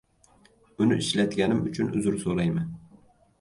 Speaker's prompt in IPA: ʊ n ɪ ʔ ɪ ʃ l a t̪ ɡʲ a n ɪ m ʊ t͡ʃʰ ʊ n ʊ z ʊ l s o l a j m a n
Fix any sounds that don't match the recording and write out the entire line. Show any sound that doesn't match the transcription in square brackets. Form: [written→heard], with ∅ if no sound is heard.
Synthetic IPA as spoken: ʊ n ɪ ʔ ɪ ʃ l a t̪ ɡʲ a n ɪ m ʊ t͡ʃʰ ʊ n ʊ z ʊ [l→ɾ] s o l a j m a n